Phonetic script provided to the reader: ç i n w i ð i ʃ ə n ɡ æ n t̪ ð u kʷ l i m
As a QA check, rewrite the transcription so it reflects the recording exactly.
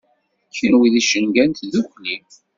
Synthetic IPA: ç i n w i ð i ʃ ə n ɡ æ n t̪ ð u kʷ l i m